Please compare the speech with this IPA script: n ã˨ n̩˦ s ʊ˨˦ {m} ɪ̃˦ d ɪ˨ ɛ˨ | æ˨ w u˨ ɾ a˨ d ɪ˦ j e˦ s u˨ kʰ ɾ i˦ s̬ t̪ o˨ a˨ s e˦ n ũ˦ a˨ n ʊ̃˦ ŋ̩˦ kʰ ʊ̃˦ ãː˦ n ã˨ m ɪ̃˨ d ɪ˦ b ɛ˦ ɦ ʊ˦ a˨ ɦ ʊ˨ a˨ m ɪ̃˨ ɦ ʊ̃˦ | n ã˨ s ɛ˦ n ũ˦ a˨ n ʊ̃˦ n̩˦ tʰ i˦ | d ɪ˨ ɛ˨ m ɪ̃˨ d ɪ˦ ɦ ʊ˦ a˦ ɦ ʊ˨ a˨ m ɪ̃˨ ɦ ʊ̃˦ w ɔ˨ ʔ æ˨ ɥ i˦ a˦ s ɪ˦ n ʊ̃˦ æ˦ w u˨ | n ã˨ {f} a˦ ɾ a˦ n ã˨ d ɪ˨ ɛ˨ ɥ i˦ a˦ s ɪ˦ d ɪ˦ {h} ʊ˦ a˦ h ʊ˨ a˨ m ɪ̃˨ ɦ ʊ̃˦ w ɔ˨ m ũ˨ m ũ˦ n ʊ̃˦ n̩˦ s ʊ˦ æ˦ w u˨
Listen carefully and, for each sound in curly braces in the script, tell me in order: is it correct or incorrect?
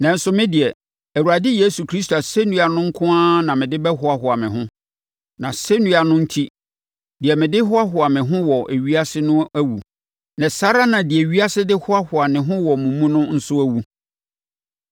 correct, incorrect: s, correct

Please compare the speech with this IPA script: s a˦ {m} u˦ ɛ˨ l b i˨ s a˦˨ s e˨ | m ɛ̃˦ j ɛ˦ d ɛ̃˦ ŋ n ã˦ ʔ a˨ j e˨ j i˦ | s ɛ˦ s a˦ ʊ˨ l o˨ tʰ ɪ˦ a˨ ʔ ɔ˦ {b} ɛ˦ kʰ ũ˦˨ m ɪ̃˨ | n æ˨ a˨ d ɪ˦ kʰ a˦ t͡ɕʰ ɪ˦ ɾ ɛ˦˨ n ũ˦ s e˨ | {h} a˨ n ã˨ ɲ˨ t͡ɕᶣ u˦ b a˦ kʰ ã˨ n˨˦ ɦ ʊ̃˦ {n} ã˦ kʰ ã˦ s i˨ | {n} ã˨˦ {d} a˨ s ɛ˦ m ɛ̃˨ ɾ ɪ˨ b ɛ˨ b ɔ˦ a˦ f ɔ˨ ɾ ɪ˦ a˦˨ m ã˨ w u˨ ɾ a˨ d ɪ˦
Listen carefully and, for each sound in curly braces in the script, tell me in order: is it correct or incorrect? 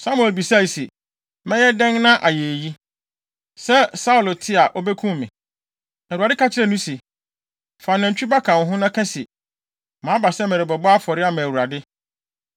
correct, correct, incorrect: f, correct, incorrect: m, incorrect: b

